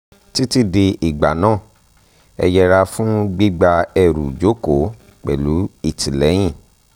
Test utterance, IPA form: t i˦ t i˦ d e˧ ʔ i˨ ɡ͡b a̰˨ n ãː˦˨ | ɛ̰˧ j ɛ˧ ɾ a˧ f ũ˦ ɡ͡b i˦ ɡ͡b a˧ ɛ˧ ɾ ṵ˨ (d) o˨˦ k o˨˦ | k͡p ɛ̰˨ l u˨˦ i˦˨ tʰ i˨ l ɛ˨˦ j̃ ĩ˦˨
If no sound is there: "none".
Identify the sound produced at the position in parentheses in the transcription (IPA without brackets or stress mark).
d͡ʒ